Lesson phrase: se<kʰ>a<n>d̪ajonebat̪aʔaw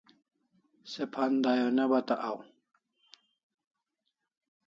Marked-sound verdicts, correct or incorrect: incorrect, correct

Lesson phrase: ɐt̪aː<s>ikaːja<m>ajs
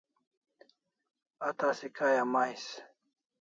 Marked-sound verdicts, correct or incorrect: correct, correct

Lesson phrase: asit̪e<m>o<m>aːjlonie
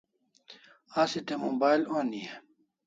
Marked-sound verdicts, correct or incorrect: correct, incorrect

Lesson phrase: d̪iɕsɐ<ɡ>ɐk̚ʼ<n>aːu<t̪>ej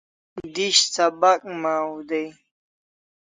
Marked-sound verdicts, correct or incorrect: incorrect, incorrect, incorrect

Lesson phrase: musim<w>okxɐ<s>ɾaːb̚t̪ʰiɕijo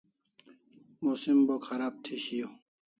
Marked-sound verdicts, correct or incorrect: incorrect, incorrect

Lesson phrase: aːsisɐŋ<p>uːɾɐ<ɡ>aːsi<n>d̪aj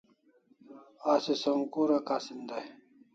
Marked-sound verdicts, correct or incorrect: incorrect, incorrect, correct

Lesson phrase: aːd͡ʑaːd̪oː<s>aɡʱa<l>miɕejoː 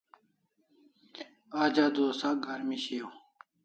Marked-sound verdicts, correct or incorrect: correct, incorrect

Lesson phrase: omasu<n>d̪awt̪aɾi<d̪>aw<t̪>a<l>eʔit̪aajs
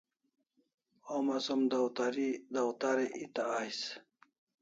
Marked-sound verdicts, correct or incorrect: incorrect, correct, correct, incorrect

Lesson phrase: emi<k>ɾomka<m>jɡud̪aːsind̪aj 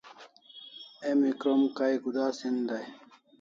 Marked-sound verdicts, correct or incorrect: correct, incorrect

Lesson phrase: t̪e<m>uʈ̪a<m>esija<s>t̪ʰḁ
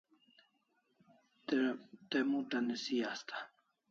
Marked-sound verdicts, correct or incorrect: correct, incorrect, correct

